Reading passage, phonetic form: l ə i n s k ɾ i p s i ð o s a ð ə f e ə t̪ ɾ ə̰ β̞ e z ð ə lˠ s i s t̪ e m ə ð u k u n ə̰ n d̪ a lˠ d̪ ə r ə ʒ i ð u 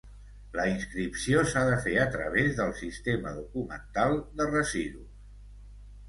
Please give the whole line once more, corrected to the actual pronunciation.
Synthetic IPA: l ə i n s k ɾ i p s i o s a ð ə f e ə t̪ ɾ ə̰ β̞ e z ð ə lˠ s i s t̪ e m ə ð u k u m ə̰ n t̪ a lˠ d̪ ə r ə z i ð u